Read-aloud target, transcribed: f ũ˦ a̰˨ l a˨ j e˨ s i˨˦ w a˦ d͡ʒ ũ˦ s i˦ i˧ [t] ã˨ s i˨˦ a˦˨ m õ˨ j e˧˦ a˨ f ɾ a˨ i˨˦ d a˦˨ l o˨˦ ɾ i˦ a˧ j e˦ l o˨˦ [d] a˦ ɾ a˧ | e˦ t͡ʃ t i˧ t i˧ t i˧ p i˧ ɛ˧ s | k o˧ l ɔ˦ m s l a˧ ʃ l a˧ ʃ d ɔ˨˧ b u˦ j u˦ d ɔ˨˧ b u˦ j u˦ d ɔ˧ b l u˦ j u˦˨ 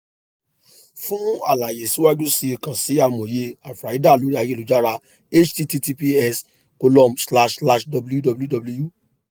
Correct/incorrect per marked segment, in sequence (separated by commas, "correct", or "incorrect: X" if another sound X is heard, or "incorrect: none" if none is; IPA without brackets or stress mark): incorrect: k, incorrect: d͡ʒ